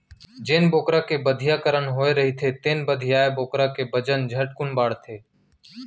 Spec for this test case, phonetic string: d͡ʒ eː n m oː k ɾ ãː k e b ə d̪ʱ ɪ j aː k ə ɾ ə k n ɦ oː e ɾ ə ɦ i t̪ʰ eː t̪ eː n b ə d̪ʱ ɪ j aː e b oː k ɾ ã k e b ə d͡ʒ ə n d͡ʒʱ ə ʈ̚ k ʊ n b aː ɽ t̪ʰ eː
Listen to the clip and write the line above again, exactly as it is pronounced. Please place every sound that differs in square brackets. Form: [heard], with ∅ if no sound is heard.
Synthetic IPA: d͡ʒ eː n [b] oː k ɾ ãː k e b ə d̪ʱ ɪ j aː k ə ɾ ə [∅] n ɦ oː e ɾ ə ɦ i t̪ʰ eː t̪ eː n b ə d̪ʱ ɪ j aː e b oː k ɾ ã k e b ə d͡ʒ ə n d͡ʒʱ ə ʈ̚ k ʊ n b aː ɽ t̪ʰ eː